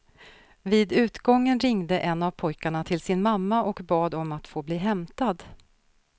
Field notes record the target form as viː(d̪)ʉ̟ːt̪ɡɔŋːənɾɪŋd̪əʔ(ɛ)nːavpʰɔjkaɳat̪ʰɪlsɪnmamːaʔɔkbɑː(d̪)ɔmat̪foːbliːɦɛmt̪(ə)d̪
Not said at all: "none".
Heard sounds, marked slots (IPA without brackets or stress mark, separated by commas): d̪, ɛ, d̪, a